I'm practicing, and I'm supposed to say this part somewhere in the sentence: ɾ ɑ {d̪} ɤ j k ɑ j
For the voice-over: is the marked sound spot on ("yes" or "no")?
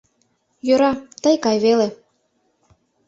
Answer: no